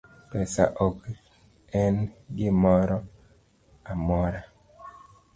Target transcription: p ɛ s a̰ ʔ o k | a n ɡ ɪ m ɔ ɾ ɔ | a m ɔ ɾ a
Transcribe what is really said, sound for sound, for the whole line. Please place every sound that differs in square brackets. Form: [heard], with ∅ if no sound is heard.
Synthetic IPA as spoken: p ɛ s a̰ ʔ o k | [ɛ] n ɡ ɪ m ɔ ɾ ɔ | a m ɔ ɾ a